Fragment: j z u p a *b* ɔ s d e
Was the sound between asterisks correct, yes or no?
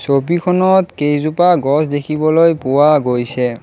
no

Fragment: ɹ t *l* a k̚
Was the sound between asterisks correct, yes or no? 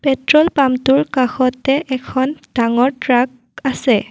no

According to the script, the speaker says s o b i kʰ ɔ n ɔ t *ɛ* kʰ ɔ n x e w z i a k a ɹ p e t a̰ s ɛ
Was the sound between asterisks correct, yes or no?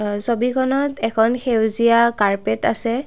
yes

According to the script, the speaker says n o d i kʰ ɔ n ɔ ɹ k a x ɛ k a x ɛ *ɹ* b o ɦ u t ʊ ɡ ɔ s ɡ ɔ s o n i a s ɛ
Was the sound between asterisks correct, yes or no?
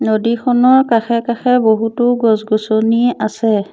no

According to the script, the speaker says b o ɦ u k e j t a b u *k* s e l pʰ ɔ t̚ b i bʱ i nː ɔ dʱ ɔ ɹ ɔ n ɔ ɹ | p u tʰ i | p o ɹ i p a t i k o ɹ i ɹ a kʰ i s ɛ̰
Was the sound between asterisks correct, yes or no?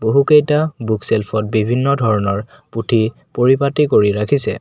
yes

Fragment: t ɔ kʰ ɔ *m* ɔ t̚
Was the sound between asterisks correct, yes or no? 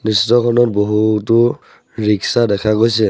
no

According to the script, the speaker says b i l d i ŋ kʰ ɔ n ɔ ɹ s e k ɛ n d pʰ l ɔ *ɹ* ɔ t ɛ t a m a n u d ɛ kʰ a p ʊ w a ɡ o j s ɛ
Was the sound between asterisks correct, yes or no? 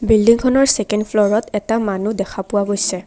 yes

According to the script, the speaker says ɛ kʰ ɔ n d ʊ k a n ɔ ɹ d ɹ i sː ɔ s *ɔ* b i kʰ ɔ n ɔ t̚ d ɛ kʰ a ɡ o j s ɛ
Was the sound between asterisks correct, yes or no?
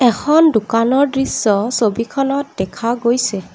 no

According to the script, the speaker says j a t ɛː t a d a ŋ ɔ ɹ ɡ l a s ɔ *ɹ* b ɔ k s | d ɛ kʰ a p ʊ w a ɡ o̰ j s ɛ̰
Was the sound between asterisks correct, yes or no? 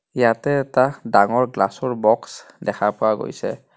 yes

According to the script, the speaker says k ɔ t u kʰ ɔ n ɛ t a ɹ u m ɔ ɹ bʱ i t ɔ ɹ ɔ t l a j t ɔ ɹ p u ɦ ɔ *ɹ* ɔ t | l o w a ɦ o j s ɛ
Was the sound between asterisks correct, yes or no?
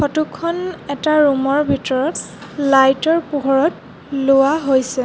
yes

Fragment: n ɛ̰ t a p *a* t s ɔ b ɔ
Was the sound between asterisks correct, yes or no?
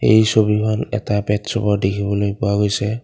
no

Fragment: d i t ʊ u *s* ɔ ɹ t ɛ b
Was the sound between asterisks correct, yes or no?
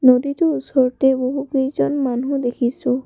yes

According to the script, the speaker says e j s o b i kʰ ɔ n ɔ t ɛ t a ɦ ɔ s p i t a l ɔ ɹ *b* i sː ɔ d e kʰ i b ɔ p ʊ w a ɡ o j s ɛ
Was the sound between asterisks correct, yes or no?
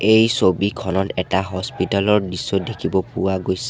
no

